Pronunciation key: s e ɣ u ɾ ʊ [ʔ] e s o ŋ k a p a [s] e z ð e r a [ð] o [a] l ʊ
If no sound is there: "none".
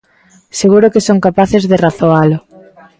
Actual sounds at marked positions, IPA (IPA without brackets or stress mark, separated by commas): k, θ, θ, a